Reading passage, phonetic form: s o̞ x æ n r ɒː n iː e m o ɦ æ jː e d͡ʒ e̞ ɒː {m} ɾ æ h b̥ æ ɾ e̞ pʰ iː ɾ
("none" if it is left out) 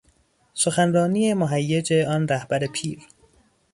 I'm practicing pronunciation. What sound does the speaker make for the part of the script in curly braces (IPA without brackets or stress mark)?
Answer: n